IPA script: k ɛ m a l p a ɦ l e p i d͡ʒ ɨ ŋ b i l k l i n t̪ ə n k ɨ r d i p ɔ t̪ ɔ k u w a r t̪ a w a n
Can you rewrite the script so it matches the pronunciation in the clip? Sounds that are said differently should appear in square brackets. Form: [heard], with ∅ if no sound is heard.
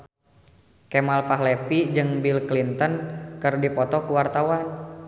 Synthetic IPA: k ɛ m a l p a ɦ l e p i d͡ʒ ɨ ŋ b i l k l i n t̪ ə n k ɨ r d i p ɔ t̪ ɔ k u w a r t̪ a w a n